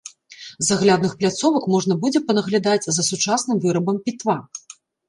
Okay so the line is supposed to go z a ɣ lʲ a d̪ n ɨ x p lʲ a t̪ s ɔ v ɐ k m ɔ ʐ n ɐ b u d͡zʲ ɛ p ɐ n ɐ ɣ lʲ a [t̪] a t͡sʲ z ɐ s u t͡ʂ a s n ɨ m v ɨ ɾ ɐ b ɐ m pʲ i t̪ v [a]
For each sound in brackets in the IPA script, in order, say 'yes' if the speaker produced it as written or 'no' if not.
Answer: no, yes

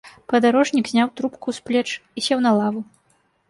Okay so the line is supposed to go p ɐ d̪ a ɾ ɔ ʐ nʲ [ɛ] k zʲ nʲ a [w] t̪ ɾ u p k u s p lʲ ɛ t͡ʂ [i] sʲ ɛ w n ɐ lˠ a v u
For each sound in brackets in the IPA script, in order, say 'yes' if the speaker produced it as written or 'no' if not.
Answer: no, yes, yes

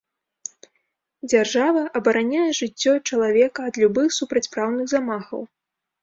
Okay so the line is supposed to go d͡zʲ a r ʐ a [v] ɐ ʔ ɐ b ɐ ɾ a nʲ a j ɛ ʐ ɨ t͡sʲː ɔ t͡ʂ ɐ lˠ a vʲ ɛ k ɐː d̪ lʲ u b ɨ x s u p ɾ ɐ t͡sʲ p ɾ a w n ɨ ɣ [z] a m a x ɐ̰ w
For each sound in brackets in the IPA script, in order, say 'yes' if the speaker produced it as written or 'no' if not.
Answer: yes, yes

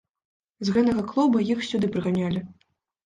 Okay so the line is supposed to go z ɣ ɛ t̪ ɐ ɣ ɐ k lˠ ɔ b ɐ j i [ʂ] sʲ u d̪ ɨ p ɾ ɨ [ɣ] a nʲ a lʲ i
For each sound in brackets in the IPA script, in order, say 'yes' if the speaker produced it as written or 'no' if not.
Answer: no, yes

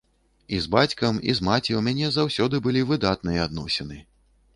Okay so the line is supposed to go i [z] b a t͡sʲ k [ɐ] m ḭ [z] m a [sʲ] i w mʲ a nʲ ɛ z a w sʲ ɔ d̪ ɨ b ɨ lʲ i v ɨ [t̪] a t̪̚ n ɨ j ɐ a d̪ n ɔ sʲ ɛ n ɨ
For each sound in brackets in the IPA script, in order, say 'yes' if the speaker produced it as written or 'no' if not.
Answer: yes, yes, yes, no, no

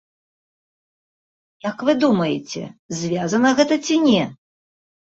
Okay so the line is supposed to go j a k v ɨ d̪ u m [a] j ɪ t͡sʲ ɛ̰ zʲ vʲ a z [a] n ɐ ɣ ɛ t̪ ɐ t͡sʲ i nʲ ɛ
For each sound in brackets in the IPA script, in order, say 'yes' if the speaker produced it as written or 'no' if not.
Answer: no, no

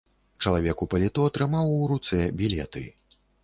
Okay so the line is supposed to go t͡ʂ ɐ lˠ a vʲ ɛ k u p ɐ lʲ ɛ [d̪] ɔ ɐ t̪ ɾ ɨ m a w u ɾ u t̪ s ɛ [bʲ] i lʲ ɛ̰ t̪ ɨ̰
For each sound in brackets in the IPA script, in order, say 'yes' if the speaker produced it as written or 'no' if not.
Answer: no, yes

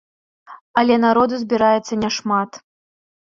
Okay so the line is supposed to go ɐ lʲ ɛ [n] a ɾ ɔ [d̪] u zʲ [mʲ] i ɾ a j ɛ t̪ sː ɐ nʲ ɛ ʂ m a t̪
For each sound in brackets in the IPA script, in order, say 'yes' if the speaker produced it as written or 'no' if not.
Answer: yes, yes, no

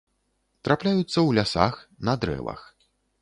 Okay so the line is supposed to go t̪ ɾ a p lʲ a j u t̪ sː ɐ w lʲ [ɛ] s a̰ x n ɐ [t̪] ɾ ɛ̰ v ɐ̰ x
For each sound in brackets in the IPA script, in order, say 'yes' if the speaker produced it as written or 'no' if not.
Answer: no, no

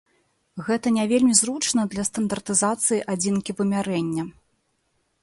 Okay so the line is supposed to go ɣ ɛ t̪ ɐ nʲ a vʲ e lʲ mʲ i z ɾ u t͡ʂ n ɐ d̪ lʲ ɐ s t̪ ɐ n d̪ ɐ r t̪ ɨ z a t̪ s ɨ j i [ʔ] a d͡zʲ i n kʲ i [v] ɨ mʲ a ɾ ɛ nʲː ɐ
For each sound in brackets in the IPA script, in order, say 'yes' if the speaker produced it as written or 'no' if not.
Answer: yes, yes

